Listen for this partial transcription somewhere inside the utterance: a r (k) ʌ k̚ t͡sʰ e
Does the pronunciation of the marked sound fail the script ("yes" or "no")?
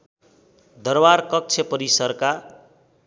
no